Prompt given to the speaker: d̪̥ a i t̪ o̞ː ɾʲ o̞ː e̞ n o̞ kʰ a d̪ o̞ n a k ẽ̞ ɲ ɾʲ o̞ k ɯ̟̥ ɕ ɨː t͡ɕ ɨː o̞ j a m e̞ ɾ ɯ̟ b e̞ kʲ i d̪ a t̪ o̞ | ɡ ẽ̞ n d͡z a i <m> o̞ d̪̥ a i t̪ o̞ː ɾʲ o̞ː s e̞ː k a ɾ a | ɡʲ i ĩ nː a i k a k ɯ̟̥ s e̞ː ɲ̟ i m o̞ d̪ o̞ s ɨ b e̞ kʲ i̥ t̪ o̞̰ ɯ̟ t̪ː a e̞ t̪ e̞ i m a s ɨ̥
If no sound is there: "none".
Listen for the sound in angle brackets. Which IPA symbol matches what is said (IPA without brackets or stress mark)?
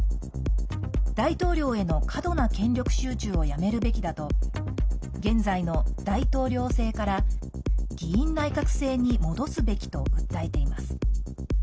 n